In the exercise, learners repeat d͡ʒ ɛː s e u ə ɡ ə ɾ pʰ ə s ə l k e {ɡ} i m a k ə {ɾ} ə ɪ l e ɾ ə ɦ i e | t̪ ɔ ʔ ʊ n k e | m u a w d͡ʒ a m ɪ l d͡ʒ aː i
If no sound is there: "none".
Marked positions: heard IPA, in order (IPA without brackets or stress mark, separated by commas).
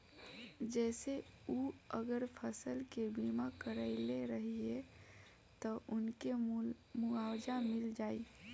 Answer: b, ɾ